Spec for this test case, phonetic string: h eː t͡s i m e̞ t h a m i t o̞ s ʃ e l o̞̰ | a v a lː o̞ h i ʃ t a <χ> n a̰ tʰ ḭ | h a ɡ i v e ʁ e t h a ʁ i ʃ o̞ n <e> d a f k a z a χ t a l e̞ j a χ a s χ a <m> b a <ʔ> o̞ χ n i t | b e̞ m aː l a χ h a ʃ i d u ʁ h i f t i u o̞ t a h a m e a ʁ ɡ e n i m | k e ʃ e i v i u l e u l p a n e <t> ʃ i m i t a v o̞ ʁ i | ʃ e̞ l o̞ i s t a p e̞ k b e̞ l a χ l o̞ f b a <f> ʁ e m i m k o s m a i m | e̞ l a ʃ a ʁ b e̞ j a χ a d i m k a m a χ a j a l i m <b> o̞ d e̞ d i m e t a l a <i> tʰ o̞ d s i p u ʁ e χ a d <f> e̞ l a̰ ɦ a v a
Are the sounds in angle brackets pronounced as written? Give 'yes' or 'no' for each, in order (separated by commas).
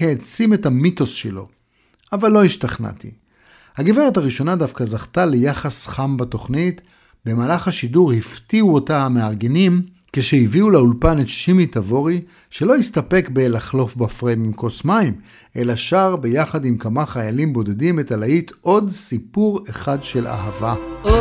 yes, no, yes, no, yes, yes, yes, yes, no